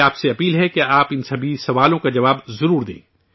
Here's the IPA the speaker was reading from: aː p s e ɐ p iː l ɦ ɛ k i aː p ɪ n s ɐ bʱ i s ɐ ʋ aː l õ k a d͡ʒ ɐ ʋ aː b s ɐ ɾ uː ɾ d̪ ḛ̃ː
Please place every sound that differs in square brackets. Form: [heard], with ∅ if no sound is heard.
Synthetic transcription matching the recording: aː p s e ɐ p iː l ɦ ɛ k [e] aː p ɪ n s ɐ bʱ i s ɐ ʋ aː l õ k a d͡ʒ ɐ ʋ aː b [z] ɐ ɾ uː ɾ d̪ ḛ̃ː